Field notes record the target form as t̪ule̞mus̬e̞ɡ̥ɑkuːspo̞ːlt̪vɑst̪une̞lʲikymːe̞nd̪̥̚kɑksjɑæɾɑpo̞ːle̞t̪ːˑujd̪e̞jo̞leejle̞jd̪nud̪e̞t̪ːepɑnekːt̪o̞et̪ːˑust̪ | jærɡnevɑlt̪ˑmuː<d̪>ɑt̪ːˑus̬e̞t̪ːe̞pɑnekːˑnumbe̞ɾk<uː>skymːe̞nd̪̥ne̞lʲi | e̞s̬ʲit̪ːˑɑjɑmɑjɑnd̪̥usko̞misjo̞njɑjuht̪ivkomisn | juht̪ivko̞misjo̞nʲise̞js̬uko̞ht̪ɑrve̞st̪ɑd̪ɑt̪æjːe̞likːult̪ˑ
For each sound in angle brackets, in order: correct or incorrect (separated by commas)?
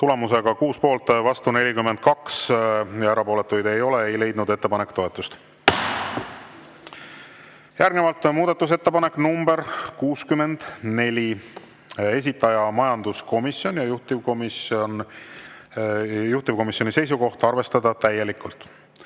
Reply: correct, correct